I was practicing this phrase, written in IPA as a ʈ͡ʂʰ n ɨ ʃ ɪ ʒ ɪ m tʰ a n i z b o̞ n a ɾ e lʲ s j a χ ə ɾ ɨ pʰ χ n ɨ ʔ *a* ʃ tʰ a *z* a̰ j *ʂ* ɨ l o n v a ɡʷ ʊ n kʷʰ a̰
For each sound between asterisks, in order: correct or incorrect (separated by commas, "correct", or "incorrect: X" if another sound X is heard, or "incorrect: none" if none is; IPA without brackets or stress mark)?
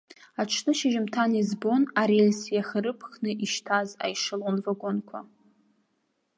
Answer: incorrect: i, correct, correct